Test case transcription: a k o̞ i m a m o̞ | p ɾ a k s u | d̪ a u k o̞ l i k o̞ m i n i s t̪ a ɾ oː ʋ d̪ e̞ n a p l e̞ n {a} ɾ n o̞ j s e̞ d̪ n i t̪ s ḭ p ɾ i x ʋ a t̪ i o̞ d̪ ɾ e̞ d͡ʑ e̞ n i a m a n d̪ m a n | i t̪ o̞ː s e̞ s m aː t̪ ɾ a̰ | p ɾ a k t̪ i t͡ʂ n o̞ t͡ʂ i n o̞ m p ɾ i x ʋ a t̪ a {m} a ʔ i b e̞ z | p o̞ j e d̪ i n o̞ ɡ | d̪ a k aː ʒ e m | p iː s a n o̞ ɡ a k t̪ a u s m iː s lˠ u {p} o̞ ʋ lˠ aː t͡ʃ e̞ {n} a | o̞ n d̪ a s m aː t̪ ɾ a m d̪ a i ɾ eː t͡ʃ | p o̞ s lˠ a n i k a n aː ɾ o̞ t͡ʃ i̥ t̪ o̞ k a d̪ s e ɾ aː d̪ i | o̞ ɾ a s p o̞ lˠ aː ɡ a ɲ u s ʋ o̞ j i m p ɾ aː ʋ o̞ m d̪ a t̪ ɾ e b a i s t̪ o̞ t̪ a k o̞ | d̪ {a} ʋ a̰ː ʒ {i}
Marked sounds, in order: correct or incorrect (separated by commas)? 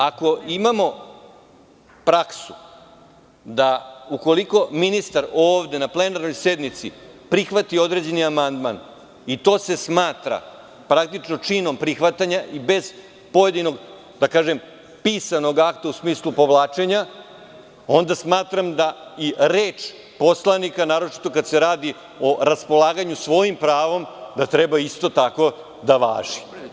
correct, incorrect, correct, incorrect, correct, correct